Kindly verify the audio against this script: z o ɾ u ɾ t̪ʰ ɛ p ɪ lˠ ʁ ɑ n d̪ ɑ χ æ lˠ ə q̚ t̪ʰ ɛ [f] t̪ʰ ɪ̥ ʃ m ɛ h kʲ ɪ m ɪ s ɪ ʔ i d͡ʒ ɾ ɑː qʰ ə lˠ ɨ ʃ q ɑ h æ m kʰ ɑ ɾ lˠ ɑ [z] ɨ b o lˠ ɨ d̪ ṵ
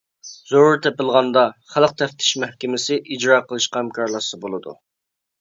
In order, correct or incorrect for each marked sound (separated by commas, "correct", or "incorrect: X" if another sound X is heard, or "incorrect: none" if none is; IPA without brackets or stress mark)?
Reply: correct, incorrect: s